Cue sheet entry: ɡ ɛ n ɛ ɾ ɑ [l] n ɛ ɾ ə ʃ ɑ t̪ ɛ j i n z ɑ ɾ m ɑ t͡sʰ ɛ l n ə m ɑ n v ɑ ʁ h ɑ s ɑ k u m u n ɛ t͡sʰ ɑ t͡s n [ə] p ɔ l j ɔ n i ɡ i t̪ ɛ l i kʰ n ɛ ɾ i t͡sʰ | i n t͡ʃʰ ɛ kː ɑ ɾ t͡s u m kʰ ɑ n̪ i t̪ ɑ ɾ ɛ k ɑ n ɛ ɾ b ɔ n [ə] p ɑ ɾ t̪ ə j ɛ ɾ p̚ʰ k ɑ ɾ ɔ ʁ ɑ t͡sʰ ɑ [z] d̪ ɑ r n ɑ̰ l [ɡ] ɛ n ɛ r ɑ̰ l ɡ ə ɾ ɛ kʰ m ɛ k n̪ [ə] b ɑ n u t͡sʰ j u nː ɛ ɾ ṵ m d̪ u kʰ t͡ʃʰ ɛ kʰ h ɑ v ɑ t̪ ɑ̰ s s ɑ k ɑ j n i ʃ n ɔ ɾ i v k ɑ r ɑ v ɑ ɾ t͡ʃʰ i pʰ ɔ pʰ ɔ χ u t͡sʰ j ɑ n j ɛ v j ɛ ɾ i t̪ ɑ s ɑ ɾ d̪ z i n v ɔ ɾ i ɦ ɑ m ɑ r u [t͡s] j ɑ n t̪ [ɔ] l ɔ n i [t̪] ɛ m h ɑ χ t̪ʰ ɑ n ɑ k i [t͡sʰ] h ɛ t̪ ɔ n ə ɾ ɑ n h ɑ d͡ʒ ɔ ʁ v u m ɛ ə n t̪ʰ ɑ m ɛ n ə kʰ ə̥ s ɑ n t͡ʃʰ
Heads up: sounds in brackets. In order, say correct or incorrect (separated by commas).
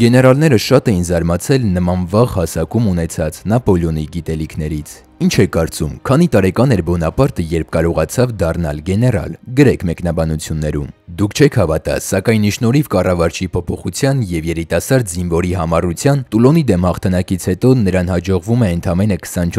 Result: correct, incorrect, incorrect, incorrect, correct, incorrect, incorrect, incorrect, incorrect, correct